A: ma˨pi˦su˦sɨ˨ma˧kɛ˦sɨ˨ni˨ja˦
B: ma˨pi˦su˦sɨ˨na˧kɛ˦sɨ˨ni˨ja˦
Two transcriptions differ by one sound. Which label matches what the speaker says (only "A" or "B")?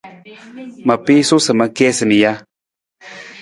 A